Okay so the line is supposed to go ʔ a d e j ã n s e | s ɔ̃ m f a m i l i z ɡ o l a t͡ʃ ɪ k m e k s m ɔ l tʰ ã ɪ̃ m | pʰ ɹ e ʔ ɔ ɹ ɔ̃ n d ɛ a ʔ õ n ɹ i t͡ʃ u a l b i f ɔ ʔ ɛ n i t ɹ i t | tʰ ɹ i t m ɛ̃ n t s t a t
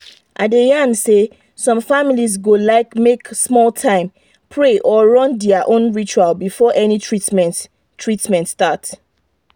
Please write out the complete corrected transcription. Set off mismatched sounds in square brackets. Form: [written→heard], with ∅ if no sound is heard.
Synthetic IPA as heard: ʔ a d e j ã n s e | s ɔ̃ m f a m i l i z ɡ o l a [t͡ʃ→∅] ɪ k m e k s m ɔ l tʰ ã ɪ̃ m | pʰ ɹ e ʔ ɔ ɹ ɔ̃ n d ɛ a ʔ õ n ɹ i t͡ʃ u a l b i f ɔ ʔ ɛ n i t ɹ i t | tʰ ɹ i t m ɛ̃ n t s t a t